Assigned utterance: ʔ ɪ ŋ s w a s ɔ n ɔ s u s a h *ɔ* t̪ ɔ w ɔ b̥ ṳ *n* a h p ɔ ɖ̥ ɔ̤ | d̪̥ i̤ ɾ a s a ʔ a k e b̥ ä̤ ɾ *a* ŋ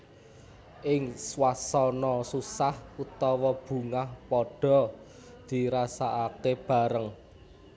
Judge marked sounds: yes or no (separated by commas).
no, no, no